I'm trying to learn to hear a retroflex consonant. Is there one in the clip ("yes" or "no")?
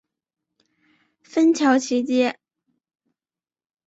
no